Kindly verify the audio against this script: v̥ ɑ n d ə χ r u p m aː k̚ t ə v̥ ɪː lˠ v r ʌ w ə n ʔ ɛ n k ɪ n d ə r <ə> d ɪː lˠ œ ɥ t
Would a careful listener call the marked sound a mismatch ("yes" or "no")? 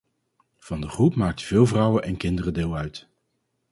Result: no